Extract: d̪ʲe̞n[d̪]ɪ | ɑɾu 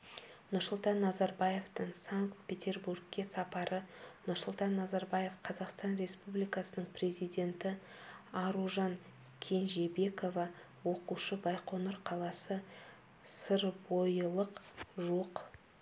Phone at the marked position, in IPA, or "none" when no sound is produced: t̪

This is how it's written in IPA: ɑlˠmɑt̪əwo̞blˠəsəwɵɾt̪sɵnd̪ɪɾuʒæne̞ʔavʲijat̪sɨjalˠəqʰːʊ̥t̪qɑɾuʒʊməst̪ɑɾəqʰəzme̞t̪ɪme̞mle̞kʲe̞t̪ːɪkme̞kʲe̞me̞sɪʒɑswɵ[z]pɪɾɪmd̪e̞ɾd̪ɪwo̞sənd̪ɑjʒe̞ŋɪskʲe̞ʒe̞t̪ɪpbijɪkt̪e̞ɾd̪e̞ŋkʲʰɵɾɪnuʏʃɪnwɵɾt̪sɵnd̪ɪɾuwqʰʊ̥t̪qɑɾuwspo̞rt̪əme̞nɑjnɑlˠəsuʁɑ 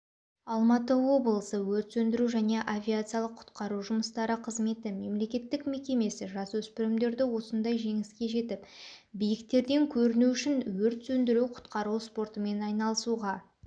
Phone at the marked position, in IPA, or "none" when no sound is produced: s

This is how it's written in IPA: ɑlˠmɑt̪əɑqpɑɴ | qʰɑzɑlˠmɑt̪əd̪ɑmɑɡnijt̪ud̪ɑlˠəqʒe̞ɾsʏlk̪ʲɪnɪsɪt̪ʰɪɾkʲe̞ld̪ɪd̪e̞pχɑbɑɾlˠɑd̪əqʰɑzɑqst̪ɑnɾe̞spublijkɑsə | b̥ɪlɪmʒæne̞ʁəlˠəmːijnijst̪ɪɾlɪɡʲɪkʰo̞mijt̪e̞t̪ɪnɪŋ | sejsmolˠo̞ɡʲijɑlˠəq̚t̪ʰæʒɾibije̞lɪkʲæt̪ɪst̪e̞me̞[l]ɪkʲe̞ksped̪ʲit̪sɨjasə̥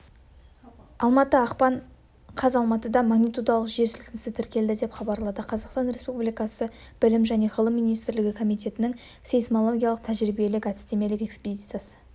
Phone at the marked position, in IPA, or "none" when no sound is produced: l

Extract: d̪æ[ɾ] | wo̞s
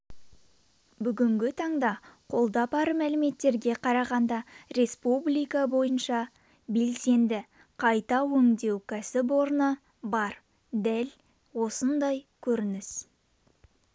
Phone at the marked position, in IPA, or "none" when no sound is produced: l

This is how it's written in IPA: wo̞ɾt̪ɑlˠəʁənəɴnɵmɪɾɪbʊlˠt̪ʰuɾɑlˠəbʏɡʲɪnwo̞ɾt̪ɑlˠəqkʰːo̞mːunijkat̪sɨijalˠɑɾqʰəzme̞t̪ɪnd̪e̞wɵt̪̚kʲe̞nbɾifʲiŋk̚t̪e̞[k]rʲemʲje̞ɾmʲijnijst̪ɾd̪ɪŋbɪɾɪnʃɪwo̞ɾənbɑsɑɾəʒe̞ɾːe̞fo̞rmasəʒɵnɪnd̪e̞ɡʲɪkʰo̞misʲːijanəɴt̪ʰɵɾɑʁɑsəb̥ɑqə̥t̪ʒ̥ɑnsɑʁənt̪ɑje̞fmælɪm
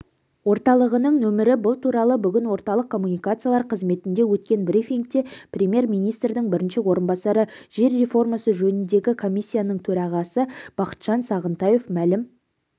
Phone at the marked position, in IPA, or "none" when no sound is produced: p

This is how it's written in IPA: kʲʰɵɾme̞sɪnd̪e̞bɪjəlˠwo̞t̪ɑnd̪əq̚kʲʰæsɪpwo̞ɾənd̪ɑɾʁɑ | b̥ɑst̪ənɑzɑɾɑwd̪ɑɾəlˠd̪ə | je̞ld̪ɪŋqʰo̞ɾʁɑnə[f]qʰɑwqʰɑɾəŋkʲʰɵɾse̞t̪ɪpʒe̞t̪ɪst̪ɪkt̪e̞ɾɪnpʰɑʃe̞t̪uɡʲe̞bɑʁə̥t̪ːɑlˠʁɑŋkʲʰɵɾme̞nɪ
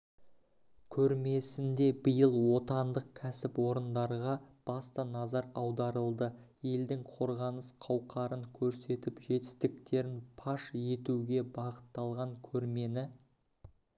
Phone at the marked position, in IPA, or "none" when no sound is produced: s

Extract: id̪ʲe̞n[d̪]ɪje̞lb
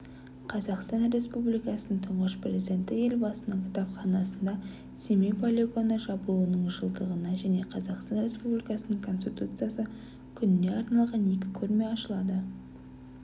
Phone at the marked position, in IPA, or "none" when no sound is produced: t̪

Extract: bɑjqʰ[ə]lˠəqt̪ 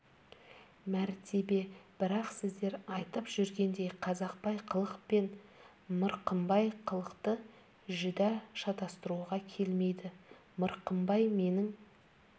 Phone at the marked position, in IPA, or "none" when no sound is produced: ə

